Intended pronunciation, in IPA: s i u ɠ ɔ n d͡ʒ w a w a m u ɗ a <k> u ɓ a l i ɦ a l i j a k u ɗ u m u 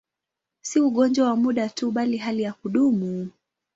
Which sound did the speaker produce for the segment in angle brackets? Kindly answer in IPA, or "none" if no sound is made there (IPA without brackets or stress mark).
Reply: t